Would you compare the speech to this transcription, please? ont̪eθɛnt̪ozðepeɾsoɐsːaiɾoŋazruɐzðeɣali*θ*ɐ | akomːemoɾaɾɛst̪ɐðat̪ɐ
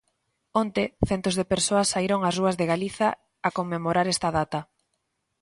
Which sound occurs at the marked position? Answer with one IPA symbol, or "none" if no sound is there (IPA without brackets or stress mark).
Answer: θ